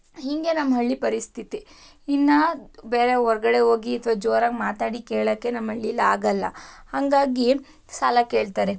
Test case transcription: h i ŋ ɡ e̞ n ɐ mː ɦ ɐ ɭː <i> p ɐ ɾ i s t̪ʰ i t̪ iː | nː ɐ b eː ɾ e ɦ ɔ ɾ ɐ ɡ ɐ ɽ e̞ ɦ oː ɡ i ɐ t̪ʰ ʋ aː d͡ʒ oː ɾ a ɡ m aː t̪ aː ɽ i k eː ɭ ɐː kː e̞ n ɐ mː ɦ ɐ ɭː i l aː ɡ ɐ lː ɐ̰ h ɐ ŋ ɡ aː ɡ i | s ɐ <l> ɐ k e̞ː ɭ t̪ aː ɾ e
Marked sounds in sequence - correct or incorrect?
correct, correct

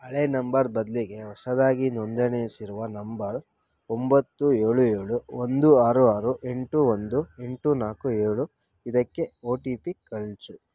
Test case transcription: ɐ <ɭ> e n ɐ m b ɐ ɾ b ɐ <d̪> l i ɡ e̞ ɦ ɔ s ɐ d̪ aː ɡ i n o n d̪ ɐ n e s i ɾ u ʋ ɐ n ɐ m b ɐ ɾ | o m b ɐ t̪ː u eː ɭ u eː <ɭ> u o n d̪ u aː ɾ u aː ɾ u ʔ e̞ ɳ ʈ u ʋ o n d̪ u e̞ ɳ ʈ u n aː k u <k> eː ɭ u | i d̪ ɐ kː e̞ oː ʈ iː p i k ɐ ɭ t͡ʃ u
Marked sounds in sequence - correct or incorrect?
correct, correct, correct, incorrect: none

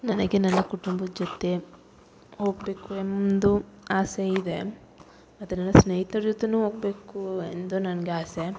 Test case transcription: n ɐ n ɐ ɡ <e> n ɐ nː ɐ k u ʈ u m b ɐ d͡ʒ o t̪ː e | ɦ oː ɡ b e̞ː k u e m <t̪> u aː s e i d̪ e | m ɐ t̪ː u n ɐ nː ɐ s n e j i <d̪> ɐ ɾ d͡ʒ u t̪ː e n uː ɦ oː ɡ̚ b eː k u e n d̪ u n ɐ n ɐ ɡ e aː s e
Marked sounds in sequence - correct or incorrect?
correct, incorrect: d̪, incorrect: t̪

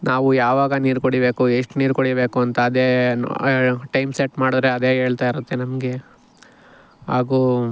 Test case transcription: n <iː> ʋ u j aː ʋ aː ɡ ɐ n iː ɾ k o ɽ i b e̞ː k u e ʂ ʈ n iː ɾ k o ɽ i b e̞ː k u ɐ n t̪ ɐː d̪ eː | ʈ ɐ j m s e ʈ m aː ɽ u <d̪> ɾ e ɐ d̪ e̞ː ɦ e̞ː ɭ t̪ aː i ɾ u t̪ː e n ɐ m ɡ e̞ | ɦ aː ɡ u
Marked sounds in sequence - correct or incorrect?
incorrect: aː, correct

